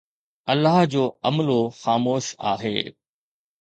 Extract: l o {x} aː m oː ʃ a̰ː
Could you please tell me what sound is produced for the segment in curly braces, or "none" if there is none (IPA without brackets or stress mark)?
x